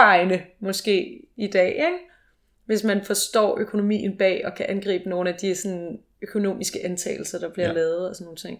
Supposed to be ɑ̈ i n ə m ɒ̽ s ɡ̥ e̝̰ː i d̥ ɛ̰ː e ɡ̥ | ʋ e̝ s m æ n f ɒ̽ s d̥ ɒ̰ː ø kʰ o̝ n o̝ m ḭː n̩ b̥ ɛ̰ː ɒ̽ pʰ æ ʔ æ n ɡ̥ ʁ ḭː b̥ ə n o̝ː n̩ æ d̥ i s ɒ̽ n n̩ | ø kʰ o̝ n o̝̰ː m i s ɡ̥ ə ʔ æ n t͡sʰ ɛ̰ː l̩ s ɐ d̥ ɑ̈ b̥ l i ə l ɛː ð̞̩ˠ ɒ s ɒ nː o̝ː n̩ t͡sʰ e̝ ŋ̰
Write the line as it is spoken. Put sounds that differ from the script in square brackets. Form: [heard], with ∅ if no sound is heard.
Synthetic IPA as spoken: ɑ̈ [ɪ] n ə m ɒ̽ s ɡ̥ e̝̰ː i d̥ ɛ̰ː e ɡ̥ | ʋ e̝ s m æ n f ɒ̽ s d̥ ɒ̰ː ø kʰ o̝ n o̝ m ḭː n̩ b̥ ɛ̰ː ɒ̽ [kʰ] æ ʔ æ n ɡ̥ ʁ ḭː b̥ ə n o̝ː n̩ æ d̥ i s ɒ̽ n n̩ | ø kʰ o̝ n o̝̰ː m i s ɡ̥ ə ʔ æ n t͡sʰ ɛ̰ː l̩ s ɐ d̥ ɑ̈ b̥ l i [ɐ] l ɛː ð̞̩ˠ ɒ s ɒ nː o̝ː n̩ t͡sʰ e̝ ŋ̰